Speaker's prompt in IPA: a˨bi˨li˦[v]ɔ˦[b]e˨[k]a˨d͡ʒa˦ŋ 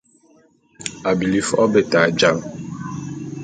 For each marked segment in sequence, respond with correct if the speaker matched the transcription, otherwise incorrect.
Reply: incorrect, correct, incorrect

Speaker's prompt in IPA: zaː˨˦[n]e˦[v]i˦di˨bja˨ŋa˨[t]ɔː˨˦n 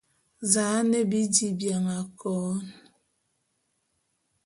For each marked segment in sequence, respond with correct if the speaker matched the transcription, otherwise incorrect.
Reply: correct, incorrect, incorrect

